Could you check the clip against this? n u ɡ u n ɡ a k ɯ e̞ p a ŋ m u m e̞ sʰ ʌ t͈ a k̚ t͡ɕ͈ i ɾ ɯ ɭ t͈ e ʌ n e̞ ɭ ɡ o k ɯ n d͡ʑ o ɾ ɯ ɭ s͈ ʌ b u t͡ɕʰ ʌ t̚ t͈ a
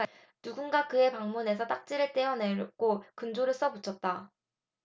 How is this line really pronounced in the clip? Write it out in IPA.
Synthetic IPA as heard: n u ɡ u n ɡ a k ɯ e̞ p a ŋ m u n e̞ sʰ ʌ t͈ a k̚ t͡ɕ͈ i ɾ ɯ ɭ t͈ e ʌ n e̞ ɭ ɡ o k ɯ n d͡ʑ o ɾ ɯ ɭ s͈ ʌ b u t͡ɕʰ ʌ t̚ t͈ a

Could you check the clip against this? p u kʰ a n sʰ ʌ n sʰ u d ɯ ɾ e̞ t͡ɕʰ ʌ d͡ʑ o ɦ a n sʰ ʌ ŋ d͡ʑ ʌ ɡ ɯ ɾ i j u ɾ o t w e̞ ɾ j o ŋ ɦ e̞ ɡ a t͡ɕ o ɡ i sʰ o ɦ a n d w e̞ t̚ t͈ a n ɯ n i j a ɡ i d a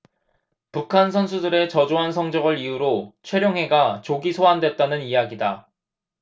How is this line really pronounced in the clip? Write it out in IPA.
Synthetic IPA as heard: p u kʰ a n sʰ ʌ n sʰ u d ɯ ɾ e̞ t͡ɕ ʌ d͡ʑ o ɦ a n sʰ ʌ ŋ d͡ʑ ʌ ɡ ɯ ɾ i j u ɾ o t͡ɕʰ w e̞ ɾ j o ŋ ɦ e̞ ɡ a t͡ɕ o ɡ i sʰ o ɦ a n d w e̞ t̚ t͈ a n ɯ n i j a ɡ i d a

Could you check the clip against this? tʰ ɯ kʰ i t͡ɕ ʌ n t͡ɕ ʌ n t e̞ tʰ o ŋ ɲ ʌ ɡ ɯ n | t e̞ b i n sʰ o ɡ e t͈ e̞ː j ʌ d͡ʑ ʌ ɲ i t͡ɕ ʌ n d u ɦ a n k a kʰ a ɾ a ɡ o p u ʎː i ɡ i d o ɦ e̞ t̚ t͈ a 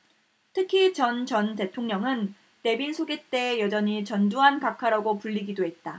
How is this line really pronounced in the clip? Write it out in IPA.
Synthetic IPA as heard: tʰ ɯ kʰ i t͡ɕ ʌ n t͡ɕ ʌ n t e̞ tʰ o ŋ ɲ ʌ ŋ ɯ n | t e̞ b i n sʰ o ɡ e t͈ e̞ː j ʌ d͡ʑ ʌ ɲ i t͡ɕ ʌ n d u ɦ a n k a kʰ a ɾ a ɡ o p u ʎː i ɡ i d o ɦ e̞ t̚ t͈ a

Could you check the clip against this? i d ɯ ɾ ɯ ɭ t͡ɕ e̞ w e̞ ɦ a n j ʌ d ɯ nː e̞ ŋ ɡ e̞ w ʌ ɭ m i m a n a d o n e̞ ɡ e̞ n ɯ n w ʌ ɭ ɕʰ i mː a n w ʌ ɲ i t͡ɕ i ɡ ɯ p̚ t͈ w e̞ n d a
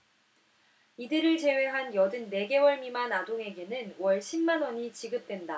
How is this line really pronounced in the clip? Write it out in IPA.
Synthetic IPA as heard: i d ɯ ɾ ɯ ɭ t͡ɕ e̞ w e̞ ɦ a n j ʌ d ɯ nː e̞ ɡ e̞ w ʌ ɭ m i m a n a d o ŋ e̞ ɡ e̞ n ɯ n w ʌ ɭ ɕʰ i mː a n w ʌ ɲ i t͡ɕ i ɡ ɯ p̚ t͈ w e̞ n d a

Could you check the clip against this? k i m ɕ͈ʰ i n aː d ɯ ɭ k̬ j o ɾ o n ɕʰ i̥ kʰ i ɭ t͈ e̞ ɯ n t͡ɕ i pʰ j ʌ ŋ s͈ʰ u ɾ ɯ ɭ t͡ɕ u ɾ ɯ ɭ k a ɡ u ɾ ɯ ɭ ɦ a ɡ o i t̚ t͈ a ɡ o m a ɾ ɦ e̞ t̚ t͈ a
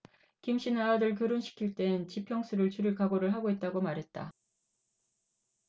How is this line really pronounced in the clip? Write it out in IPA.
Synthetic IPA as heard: k i m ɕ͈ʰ i n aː d ɯ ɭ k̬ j o ɾ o n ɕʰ i̥ kʰ i ɭ t͈ e̞ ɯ n t͡ɕ i pʰ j ʌ ŋ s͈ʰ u ɾ ɯ ɭ t͡ɕ u ɾ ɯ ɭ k a ɡ o ɾ ɯ ɭ ɦ a ɡ o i t̚ t͈ a ɡ o m a ɾ ɦ e̞ t̚ t͈ a

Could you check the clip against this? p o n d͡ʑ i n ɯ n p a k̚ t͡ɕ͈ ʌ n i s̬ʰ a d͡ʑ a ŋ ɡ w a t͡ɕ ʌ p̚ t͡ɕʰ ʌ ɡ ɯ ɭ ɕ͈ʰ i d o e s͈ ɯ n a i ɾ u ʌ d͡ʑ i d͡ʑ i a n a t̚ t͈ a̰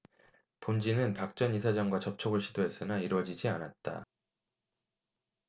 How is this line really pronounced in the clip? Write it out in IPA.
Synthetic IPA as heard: p o n d͡ʑ i n ɯ n p a k̚ t͡ɕ͈ ʌ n i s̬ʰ a d͡ʑ a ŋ ɡ w a t͡ɕ ʌ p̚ t͡ɕʰ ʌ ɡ ɯ ɭ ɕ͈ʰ i d o e s͈ ɯ n a i ɾ w ʌ d͡ʑ i d͡ʑ i a n a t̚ t͈ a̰

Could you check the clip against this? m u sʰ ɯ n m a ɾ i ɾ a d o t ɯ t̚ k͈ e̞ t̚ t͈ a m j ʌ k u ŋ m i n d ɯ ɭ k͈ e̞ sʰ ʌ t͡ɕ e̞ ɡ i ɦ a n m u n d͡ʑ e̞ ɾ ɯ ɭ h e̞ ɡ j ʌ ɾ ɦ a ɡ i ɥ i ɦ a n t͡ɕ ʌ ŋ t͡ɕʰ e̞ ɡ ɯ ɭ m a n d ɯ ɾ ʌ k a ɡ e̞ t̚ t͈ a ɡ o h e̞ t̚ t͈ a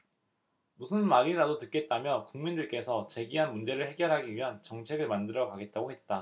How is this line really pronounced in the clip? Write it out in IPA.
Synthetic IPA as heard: m u sʰ ɯ n m a ɾ i ɾ a d o t ɯ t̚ k͈ e̞ t̚ t͈ a m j ʌ k u ŋ m i n d ɯ ɭ k͈ e̞ sʰ ʌ t͡ɕ e̞ ɡ i ɦ a n m u n d͡ʑ e̞ ɾ ɯ ɭ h e̞ ɡ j ʌ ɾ ɦ a ɡ i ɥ i ɦ a n t͡ɕ ʌ ŋ t͡ɕʰ e̞ ɡ ɯ ɭ m a n d ɯ ɾ ʌ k a ɡ e̞ t̚ t͈ a ɡ o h e̞ t̚ t͈ a

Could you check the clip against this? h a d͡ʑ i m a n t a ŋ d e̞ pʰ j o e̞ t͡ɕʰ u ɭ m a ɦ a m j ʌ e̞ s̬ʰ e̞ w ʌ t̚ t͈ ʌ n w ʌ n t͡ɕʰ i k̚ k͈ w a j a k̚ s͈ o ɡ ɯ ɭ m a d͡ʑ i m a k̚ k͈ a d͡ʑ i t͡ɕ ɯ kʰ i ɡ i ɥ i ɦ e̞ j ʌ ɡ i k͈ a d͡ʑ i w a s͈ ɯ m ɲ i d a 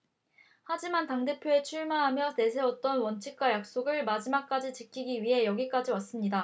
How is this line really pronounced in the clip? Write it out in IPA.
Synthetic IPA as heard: h a d͡ʑ i m a n t a ŋ d e̞ pʰ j o e̞ t͡ɕʰ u ɭ m a ɦ a m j ʌ e̞ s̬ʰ e̞ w ʌ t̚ t͈ ʌ n w ʌ n t͡ɕʰ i k̚ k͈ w a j a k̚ s͈ o ɡ ɯ ɭ m a d͡ʑ i m a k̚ k͈ a d͡ʑ i t͡ɕ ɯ kʰ i ɡ i ɥ i ɦ e̞ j ʌ ɡ i k͈ a d͡ʑ i w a s͈ ɯ m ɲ i d a

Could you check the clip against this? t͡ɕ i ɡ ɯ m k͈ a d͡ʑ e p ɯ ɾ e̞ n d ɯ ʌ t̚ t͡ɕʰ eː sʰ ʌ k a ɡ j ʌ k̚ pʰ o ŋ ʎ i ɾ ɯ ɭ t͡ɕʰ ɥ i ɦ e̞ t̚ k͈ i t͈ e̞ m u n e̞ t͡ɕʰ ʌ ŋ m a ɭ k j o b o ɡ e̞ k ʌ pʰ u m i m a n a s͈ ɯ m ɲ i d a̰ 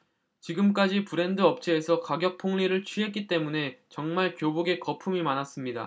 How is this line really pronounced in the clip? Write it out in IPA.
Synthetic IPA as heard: t͡ɕ i ɡ ɯ m k͈ a d͡ʑ i p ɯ ɾ e̞ n d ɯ ʌ p̚ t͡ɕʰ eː sʰ ʌ k a ɡ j ʌ k̚ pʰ o ŋ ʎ i ɾ ɯ ɭ t͡ɕʰ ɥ i ɦ e̞ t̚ k͈ i t͈ e̞ m u n e̞ t͡ɕ ʌ ŋ m a ɭ k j o b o ɡ e̞ k ʌ pʰ u m i m a n a s͈ ɯ m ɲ i d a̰

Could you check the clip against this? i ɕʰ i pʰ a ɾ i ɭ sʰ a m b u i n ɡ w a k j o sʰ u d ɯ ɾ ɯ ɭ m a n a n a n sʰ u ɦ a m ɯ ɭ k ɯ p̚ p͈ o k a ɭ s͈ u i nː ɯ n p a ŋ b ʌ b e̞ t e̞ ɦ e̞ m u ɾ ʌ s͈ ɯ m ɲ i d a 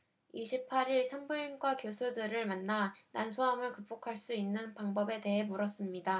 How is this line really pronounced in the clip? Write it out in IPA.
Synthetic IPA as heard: i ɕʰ i pʰ a ɾ i ɭ sʰ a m b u i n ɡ w a k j o sʰ u d ɯ ɾ ɯ ɭ m a nː a n a n sʰ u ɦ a m ɯ ɭ k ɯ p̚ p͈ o kʰ a ɭ s͈ u i nː ɯ n p a ŋ b ʌ b e̞ t e̞ ɦ e̞ m u ɾ ʌ s͈ ɯ m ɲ i d a

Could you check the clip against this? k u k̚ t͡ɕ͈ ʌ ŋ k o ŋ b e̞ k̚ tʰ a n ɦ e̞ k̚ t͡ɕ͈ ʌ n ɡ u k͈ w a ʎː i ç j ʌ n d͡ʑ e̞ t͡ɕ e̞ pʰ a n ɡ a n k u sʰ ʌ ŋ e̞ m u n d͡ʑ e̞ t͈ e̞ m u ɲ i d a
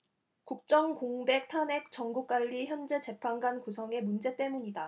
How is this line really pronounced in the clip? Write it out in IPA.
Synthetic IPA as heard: k u k̚ t͡ɕ͈ ʌ ŋ k o ŋ b e̞ k̚ tʰ a n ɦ e̞ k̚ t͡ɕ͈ ʌ ŋ ɡ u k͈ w a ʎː i ç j ʌ n d͡ʑ e̞ t͡ɕ e̞ pʰ a n ɡ a n k u sʰ ʌ ŋ e̞ m u n d͡ʑ e̞ t͈ e̞ m u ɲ i d a

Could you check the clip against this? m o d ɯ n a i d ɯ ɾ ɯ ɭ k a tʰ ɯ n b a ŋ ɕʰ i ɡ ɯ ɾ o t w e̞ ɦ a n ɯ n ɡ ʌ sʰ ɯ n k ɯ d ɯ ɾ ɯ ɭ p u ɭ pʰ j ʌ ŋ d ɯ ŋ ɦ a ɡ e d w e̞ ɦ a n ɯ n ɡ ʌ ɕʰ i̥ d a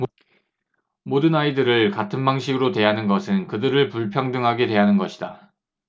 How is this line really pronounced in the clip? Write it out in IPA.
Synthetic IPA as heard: m o d ɯ n a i d ɯ ɾ ɯ ɭ k a tʰ ɯ n b a ŋ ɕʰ i ɡ ɯ ɾ o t w e̞ ɦ a n ɯ n ɡ ʌ sʰ ɯ n k ɯ d ɯ ɾ ɯ ɭ p u ɭ pʰ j ʌ ŋ d ɯ ŋ ɦ a ɡ e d w e̞ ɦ a n ɯ n ɡ ʌ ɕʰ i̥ d a

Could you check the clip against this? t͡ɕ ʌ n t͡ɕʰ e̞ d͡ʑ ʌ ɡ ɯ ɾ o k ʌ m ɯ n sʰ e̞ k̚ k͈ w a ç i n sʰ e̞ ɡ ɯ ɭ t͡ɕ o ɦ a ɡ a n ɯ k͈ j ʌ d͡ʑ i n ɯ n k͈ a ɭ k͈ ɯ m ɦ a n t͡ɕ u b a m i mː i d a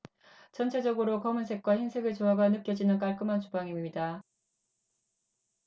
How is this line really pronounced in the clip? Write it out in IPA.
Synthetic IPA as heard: t͡ɕ ʌ n t͡ɕʰ e̞ d͡ʑ ʌ ɡ ɯ ɾ o k ʌ m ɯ n sʰ e̞ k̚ k͈ w a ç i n sʰ e̞ ɡ ɯ ɭ t͡ɕ o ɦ a ɡ a n ɯ k͈ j ʌ d͡ʑ i n ɯ n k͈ a ɭ k͈ ɯ m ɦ a n t͡ɕ u b a ŋ i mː i d a

